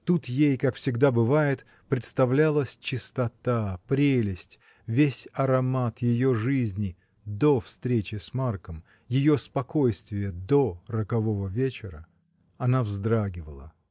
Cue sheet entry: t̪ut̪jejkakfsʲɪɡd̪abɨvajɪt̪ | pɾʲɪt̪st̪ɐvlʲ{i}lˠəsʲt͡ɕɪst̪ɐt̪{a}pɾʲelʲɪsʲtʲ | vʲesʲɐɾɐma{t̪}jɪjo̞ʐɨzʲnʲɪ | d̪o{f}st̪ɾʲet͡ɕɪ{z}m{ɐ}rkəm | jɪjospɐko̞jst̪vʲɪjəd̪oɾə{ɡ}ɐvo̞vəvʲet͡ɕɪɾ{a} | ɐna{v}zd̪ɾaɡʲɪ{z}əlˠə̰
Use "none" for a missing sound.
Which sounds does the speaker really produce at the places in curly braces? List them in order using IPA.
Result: a, a, t̪, f, s, a, k, ə, v, v

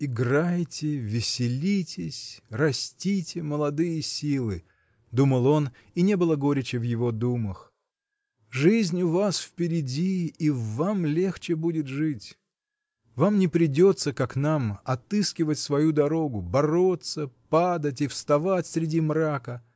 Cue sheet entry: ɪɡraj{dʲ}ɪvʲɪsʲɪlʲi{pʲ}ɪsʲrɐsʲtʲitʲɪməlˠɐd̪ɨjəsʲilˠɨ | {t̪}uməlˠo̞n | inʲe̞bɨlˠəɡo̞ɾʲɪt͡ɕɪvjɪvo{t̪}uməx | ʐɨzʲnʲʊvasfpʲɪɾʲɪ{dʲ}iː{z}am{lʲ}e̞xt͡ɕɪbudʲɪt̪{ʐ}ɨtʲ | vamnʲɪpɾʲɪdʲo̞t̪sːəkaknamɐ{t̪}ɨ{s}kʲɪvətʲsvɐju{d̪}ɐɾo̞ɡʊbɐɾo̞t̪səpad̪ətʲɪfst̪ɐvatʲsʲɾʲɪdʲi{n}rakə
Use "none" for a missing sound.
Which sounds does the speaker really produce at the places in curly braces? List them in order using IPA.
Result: tʲ, tʲ, d̪, d̪, dʲ, v, lʲ, ʐ, t̪, s, d̪, m

